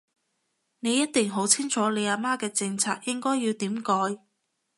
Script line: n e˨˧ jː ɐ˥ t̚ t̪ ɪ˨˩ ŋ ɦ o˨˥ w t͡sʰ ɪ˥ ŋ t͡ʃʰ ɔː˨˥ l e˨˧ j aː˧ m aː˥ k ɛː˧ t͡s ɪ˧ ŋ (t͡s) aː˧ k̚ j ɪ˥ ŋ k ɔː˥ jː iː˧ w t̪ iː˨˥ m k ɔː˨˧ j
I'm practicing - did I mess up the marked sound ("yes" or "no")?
yes